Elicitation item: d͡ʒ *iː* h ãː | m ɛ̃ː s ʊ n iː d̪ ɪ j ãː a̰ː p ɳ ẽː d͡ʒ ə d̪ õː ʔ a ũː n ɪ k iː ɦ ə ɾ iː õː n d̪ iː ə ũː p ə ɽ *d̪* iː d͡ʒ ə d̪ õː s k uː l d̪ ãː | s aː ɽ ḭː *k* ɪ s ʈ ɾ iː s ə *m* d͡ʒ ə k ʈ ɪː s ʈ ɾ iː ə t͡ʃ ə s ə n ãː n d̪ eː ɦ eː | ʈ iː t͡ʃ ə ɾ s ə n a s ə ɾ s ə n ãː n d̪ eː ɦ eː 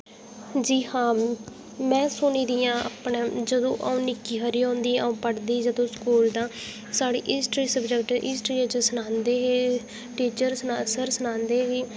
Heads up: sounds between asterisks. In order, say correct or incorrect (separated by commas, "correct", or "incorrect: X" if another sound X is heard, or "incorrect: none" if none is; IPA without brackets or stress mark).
correct, correct, incorrect: ʔ, incorrect: b